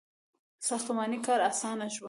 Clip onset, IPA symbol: s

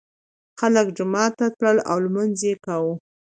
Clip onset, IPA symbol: x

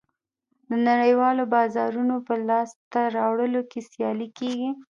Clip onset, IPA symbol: d̪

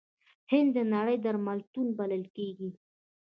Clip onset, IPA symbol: h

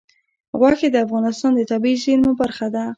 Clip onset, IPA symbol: ɣ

